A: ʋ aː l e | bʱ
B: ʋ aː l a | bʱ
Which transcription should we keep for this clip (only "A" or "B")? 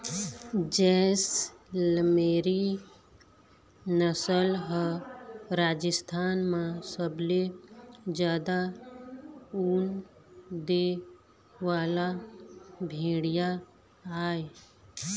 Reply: B